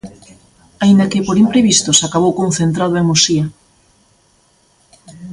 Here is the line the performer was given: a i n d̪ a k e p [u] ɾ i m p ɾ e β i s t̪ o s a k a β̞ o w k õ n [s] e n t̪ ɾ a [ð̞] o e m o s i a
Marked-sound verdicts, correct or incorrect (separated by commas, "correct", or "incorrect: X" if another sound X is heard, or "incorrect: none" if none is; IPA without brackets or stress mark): incorrect: o, incorrect: θ, correct